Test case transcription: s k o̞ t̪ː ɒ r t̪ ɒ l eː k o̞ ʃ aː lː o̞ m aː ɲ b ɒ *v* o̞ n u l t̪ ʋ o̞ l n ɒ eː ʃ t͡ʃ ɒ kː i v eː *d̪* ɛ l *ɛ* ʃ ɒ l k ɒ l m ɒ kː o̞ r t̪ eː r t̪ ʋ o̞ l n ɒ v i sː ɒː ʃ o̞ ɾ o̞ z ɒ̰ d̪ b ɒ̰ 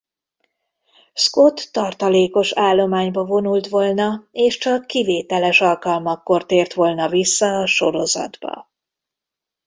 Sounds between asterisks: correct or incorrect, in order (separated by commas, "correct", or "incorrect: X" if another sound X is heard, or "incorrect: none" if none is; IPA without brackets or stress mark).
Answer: correct, incorrect: t̪, correct